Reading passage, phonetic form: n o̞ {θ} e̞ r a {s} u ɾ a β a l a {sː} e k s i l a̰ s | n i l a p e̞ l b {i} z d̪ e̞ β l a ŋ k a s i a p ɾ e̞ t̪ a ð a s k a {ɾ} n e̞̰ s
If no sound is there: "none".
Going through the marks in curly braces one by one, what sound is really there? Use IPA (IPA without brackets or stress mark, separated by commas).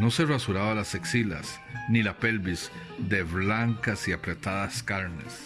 s, s, s, i, ɾ